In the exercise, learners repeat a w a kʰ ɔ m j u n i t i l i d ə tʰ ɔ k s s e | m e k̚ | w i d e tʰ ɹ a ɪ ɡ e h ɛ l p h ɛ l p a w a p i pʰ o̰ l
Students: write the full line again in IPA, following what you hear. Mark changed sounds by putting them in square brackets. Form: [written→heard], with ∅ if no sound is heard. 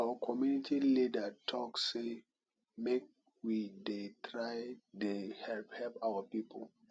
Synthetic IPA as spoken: a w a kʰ ɔ m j u n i t i l i d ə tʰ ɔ k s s e | m e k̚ | w i d e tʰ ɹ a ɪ [ɡ→d] e h ɛ l p h ɛ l p a w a p i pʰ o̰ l